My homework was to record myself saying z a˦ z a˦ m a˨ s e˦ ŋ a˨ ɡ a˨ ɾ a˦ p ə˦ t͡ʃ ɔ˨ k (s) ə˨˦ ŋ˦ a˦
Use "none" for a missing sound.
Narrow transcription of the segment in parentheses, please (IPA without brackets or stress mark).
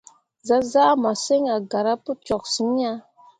s